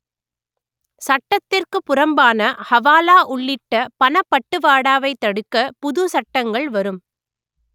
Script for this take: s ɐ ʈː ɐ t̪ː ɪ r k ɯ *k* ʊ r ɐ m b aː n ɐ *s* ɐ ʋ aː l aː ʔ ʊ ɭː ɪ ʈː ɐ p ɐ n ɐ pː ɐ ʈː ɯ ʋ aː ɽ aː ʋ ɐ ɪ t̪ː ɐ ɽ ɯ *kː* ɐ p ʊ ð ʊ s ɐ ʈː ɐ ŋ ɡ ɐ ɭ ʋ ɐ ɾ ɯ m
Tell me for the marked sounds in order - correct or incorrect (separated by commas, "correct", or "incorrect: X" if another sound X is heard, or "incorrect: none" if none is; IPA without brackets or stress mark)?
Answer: incorrect: p, incorrect: h, correct